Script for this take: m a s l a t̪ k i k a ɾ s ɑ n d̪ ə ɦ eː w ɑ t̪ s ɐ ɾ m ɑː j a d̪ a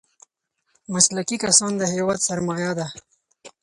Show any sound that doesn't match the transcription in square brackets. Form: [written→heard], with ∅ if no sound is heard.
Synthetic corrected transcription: m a s l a [t̪→∅] k i k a [ɾ→∅] s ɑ n d̪ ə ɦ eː w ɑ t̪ s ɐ ɾ m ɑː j a d̪ a